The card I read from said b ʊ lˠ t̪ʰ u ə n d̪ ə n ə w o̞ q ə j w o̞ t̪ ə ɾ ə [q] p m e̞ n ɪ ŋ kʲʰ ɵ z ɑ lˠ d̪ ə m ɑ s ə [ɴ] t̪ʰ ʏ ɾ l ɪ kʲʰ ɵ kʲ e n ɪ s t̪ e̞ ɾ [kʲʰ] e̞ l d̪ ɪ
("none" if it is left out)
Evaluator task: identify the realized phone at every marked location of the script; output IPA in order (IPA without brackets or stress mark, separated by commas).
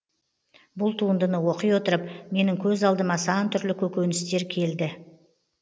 none, n, kʲʰ